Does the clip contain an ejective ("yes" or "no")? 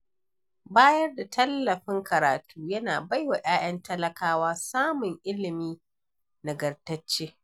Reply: no